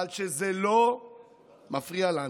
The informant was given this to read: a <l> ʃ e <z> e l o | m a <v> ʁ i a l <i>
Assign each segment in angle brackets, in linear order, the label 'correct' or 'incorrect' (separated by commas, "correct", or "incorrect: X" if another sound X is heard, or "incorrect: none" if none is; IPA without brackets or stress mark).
correct, correct, incorrect: f, incorrect: a